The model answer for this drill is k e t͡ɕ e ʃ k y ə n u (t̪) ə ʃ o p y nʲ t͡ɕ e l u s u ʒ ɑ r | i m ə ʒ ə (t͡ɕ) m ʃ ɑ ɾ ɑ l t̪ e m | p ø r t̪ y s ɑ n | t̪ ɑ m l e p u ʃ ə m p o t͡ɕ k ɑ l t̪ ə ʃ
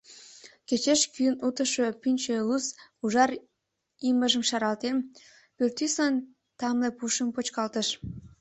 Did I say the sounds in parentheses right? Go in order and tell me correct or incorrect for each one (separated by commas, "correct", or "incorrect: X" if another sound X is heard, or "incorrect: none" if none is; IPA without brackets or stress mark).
correct, incorrect: none